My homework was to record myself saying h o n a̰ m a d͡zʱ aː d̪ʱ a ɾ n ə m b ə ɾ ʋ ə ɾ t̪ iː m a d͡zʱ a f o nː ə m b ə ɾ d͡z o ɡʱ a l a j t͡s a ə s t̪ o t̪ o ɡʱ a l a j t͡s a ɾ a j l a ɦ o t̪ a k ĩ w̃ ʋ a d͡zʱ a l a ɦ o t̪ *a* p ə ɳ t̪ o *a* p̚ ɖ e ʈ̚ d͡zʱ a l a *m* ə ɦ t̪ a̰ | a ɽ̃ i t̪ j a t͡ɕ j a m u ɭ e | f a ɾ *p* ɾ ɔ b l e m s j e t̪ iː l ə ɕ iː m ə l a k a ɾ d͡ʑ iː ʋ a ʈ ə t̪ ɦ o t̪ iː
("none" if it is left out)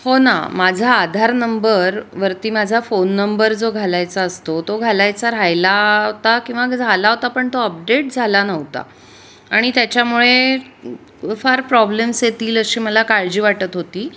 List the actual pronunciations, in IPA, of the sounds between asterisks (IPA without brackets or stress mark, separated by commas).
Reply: a, ə, n, p